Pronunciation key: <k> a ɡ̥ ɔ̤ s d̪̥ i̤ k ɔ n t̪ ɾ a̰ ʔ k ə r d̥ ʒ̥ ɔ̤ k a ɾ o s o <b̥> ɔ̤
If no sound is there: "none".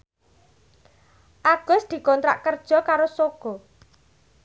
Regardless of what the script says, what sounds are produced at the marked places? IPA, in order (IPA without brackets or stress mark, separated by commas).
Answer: ʔ, ɡ̥